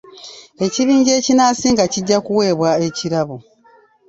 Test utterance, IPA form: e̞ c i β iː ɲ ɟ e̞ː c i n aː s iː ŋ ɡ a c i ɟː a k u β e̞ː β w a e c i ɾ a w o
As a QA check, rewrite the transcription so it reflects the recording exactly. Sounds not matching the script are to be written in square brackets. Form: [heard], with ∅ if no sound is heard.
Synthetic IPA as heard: e̞ c i β iː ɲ ɟ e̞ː c i n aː s iː ŋ ɡ a c i ɟː a k u [w] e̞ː β w a e c i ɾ a [β] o